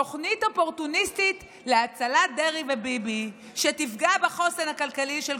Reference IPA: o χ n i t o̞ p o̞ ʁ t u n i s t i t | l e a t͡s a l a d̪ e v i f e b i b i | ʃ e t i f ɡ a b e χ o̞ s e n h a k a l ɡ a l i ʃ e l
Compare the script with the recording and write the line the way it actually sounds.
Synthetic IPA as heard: o χ n i t o̞ p o̞ ʁ t u n i s t i t | l e a t͡s a l a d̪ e ʁ i v e b i b i | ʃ e t i f ɡ a b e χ o̞ s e n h a k a l k a l i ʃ e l

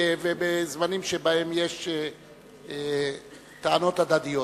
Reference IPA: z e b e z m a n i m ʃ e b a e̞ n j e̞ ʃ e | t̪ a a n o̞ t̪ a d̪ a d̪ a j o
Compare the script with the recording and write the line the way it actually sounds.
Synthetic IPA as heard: v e b e z m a n i m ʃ e b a e̞ m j e̞ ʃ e | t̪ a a n o̞ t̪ a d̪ a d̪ i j o

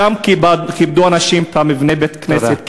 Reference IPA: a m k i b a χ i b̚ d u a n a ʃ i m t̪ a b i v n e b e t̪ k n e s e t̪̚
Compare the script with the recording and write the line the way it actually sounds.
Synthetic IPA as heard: a m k i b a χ i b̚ d u a n a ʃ i m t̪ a m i v n e b e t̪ k n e s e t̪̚

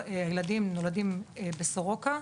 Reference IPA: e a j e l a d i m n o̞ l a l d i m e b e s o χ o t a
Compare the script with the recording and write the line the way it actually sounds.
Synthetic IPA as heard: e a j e l a d i m n o̞ l a d i m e b e s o ʁ o k a

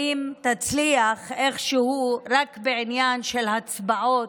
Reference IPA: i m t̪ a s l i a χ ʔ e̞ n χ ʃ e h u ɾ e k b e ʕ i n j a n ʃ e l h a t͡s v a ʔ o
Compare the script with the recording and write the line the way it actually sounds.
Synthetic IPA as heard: i m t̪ a t͡s l i a χ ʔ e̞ χ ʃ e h u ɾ a k b e ʕ i n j a n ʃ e l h a t͡s b a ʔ o

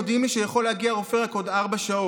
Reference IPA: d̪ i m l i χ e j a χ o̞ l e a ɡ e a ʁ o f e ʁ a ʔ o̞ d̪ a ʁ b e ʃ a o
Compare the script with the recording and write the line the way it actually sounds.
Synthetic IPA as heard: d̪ i m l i ʃ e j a χ o̞ l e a ɡ i a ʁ o f e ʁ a k o̞ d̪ a ʁ b a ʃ a o

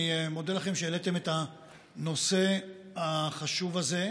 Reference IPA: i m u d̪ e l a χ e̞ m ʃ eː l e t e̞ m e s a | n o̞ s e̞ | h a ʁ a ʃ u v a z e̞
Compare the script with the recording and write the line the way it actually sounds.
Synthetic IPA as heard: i m o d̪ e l a χ e̞ m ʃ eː l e t e̞ m e t a | n o̞ s e̞ | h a χ a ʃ u v a z e̞

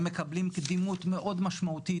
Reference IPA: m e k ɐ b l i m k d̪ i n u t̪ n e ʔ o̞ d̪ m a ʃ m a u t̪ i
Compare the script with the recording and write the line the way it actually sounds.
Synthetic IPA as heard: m e k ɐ b l i m k d̪ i m u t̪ m e ʔ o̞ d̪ m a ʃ m a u t̪ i

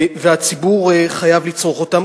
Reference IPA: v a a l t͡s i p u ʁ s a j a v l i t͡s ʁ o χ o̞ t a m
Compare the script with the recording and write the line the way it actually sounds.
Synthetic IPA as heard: v e a t͡s i b u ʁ χ a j a v l i t͡s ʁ o χ o̞ t a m

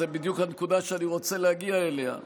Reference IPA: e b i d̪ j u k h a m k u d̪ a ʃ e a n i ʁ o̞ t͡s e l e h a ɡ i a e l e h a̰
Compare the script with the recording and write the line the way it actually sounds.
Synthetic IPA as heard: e b i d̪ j u k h a n k u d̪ a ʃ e a n i ʁ o̞ t͡s e l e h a ɡ i a e l e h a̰

